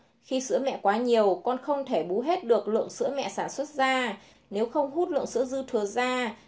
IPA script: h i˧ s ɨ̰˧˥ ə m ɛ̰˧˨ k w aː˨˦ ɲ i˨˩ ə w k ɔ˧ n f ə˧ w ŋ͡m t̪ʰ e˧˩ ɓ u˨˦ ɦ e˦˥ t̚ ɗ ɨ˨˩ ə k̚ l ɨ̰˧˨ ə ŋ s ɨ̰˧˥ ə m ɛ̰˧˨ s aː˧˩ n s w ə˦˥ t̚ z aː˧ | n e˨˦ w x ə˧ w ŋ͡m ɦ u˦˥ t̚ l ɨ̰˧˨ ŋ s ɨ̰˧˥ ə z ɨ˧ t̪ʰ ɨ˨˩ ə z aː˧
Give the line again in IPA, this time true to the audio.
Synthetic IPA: x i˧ s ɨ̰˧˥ ə m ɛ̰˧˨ k w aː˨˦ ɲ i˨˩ ə w k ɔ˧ n x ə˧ w ŋ͡m t̪ʰ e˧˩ ɓ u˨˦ ɦ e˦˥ t̚ ɗ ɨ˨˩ ə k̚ l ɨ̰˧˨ ə ŋ s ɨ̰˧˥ ə m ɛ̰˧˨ s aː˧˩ n s w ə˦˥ t̚ z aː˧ | n e˨˦ w x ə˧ w ŋ͡m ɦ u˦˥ t̚ l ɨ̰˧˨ ŋ s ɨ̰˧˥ ə z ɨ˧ t̪ʰ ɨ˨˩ ə z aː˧